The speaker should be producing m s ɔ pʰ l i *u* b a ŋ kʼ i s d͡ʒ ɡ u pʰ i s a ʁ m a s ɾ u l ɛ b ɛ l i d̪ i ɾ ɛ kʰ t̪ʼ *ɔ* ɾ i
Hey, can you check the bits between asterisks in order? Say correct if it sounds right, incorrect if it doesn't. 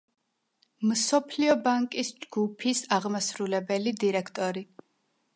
incorrect, correct

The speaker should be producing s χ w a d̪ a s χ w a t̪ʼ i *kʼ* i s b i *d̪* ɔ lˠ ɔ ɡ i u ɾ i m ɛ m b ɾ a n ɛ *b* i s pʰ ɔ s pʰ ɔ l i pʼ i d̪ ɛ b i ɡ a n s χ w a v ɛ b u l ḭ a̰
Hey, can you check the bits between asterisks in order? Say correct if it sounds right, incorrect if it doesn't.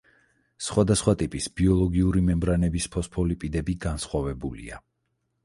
incorrect, incorrect, correct

